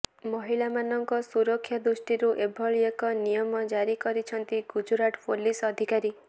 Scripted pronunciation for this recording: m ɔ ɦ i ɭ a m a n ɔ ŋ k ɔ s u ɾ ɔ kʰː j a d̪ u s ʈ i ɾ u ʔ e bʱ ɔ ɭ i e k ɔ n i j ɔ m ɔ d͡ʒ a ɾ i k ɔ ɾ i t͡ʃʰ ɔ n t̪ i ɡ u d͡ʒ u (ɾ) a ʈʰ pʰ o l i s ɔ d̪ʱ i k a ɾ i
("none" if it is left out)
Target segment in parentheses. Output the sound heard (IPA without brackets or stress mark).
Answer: ɾ